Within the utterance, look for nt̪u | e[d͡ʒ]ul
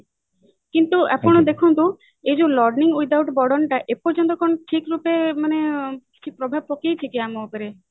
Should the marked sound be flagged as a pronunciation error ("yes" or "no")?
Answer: no